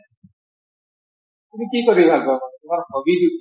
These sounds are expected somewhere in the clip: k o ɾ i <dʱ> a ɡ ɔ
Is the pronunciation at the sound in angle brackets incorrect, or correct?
incorrect